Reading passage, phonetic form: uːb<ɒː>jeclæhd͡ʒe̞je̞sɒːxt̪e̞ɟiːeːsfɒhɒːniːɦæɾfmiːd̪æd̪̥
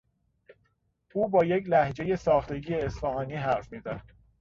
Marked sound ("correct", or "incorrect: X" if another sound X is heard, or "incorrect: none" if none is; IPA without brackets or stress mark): correct